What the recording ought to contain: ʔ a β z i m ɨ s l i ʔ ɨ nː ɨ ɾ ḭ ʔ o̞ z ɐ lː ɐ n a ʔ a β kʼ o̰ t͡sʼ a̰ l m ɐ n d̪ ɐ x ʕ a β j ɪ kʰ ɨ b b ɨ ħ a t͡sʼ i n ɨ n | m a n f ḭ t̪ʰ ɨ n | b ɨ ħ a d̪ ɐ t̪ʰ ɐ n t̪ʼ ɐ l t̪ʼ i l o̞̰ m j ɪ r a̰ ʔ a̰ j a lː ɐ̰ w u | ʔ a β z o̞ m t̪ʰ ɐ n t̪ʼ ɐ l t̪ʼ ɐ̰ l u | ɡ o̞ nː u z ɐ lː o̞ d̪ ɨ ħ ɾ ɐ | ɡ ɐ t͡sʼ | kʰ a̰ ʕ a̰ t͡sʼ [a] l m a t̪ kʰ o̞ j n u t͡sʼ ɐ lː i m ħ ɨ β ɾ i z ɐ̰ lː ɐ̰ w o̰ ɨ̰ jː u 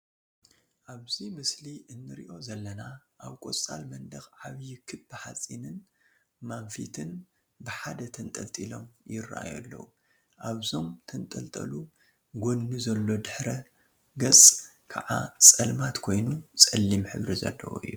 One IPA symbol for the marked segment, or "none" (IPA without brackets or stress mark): ɐ